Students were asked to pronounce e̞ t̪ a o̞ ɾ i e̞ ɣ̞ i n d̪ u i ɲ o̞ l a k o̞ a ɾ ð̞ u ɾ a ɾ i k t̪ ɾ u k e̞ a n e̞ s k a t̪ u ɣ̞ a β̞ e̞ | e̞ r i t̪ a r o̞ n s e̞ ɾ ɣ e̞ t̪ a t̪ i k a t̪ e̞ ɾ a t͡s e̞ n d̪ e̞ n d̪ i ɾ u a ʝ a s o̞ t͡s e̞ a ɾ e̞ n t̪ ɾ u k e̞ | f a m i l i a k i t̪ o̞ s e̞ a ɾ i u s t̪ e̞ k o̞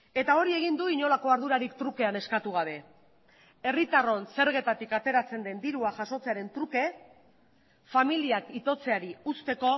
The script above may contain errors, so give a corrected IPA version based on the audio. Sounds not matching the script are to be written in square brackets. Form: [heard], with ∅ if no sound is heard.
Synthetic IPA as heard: e̞ t̪ a o̞ ɾ i e̞ ɣ̞ i n d̪ u i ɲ o̞ l a k o̞ a ɾ ð̞ u ɾ a ɾ i k t̪ ɾ u k e̞ a n e̞ s k a t̪ u ɣ̞ a β̞ e̞ | e̞ r i t̪ a r o̞ n s e̞ ɾ ɣ e̞ t̪ a t̪ i k a t̪ e̞ ɾ a t͡s e̞ n d̪ e̞ n d̪ i ɾ u a ʝ a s o̞ t͡s e̞ a ɾ e̞ n t̪ ɾ u k e̞ | f a m i l i a k i t̪ o̞ [t͡s] e̞ a ɾ i u s t̪ e̞ k o̞